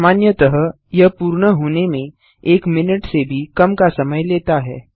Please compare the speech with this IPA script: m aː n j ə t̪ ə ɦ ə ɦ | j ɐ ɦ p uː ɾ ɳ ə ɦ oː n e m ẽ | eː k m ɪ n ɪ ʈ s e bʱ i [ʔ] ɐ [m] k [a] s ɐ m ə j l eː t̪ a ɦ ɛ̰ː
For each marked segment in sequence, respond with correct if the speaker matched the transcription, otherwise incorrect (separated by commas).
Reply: incorrect, correct, correct